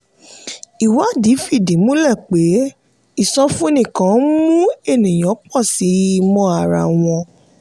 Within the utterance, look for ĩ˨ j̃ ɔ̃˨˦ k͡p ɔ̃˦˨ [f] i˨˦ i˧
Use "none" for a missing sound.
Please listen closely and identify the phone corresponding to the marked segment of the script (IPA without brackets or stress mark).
s